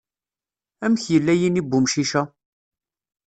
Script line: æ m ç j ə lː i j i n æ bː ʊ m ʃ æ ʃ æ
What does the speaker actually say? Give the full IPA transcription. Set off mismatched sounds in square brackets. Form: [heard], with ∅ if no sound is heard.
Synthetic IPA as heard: æ m ç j ə lː [æ] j i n [i] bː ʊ m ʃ [i] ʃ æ

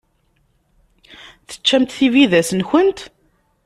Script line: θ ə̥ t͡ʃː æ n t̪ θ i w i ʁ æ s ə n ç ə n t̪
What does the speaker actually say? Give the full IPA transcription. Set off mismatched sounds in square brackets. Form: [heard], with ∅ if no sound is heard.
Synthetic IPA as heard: θ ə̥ t͡ʃː æ [m] t̪ θ i [v] i [ð] æ s ə n ç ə n t̪

